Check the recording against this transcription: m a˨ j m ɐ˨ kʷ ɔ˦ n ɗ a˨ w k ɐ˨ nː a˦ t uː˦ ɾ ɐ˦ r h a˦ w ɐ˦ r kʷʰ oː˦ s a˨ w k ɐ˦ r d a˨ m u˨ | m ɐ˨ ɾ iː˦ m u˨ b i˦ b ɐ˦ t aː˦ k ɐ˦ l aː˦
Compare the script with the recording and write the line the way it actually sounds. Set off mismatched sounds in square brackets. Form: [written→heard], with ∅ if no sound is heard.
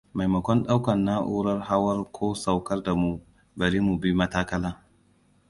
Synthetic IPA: m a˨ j m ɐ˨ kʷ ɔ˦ n ɗ [a˨→a˦] w k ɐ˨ nː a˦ [t→ʔ] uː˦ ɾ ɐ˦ r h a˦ w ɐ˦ r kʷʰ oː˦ s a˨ w k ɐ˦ r d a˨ m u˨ | [m→b] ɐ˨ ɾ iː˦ m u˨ b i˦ [b→m] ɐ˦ t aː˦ k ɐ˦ l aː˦